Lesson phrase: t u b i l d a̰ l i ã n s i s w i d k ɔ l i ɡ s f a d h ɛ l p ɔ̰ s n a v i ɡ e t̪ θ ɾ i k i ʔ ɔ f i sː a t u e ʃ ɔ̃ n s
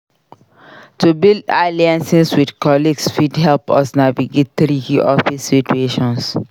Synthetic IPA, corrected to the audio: t u b i l d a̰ l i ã n s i s w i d k ɔ l i ɡ s f i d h ɛ l p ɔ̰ s n a v i ɡ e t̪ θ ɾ i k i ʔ ɔ f i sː i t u e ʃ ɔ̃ n s